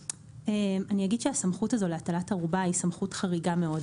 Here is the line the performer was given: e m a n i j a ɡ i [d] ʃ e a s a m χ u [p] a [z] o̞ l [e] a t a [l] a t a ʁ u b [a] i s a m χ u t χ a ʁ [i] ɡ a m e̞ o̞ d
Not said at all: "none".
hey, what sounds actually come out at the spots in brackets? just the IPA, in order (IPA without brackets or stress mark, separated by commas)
d, t, z, e, l, a, i